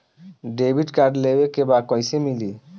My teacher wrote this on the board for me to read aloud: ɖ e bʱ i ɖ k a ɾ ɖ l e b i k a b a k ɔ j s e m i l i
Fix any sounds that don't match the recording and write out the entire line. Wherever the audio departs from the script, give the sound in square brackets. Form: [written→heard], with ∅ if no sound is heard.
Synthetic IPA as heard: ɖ e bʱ i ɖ k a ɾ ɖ l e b [i→e] k [a→e] b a k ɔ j s e m i l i